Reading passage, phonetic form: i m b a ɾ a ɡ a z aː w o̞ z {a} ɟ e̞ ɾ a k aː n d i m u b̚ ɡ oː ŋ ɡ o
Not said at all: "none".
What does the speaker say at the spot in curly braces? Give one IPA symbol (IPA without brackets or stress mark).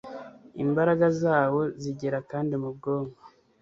i